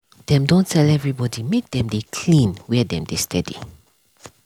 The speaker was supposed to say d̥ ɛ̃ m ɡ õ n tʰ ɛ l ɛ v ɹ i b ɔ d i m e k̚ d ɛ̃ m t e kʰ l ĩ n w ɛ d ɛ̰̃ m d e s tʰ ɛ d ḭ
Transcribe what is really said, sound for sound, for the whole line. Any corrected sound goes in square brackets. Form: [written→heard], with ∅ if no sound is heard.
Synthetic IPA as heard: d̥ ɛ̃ m [ɡ→d] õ n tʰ ɛ l ɛ v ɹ i b ɔ d i m e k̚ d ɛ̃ m [t→d] e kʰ l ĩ n w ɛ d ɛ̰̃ m d e s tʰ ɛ d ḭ